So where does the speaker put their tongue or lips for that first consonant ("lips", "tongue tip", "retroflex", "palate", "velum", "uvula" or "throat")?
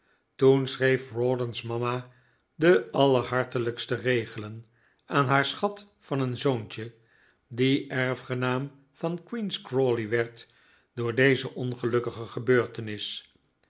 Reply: tongue tip